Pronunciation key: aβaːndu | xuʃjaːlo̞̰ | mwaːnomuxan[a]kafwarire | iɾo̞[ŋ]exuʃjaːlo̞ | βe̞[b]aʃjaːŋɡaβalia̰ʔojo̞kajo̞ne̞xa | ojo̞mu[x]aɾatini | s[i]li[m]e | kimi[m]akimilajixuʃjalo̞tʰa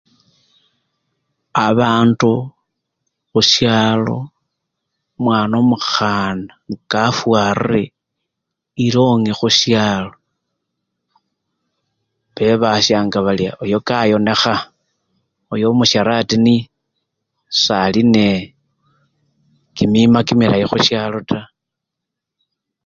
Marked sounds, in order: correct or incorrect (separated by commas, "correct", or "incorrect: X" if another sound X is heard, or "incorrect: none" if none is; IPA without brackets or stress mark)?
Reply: correct, correct, incorrect: β, incorrect: ʃ, incorrect: a, incorrect: n, correct